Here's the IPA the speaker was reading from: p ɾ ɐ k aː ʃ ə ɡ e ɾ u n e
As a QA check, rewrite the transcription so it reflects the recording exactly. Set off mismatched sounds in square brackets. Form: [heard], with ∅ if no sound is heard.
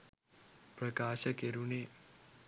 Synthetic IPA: p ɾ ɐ k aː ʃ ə [k] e ɾ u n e